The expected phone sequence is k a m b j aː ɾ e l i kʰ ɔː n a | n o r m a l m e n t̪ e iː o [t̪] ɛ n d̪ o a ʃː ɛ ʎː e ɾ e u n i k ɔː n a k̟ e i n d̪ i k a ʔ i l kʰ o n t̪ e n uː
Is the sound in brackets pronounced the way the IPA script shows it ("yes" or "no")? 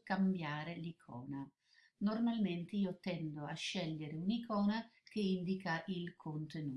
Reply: yes